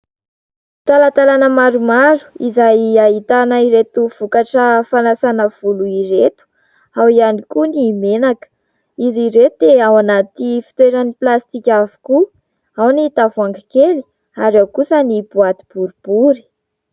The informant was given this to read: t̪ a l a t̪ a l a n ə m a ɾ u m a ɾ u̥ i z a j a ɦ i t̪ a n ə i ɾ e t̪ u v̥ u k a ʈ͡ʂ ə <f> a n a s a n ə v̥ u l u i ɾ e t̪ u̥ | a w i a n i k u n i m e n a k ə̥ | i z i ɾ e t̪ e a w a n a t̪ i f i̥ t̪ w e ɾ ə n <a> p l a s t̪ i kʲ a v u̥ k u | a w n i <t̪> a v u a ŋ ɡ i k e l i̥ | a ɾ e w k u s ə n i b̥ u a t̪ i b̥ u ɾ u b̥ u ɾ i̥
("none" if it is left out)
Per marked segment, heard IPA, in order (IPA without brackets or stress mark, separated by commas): f, i, t̪